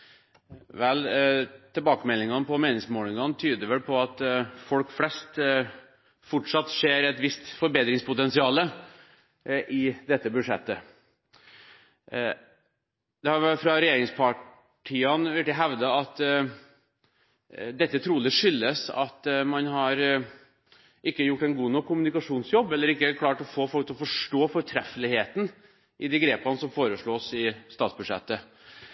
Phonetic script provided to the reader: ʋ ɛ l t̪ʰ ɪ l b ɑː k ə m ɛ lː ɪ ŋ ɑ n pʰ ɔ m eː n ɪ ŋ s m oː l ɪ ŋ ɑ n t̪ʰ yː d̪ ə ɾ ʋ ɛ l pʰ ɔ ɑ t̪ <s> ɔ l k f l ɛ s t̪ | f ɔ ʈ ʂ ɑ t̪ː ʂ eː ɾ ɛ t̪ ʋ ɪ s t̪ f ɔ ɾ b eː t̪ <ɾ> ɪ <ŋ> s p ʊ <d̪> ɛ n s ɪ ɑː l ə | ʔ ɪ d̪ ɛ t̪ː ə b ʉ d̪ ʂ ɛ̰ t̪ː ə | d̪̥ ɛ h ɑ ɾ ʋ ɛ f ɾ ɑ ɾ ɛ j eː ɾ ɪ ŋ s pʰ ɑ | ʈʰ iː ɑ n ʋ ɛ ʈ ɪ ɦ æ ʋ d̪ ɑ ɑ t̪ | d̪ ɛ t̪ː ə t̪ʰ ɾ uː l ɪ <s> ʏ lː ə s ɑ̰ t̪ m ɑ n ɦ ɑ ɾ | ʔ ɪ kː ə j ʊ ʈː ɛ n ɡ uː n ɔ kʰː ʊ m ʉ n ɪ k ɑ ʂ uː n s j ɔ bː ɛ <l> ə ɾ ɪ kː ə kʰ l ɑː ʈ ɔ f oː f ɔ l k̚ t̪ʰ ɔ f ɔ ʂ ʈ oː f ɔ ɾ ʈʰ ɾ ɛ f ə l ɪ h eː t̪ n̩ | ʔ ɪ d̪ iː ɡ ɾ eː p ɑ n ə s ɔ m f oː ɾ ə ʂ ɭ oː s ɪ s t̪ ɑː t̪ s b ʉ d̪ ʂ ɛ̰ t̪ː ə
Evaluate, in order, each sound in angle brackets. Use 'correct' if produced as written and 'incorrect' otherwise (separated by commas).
incorrect, correct, correct, incorrect, incorrect, incorrect